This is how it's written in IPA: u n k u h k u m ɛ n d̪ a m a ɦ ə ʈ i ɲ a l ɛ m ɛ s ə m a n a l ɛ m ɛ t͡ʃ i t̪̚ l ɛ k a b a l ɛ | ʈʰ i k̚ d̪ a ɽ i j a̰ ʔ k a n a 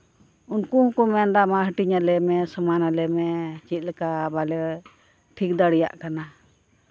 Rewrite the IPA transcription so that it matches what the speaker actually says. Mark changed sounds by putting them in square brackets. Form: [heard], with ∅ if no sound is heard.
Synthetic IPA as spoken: u n k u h k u m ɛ n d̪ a m a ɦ ə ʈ i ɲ a l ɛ m ɛ s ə m a n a l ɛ m ɛ t͡ʃ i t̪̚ l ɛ k a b a l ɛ | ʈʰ i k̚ d̪ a ɽ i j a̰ ʔ k a n a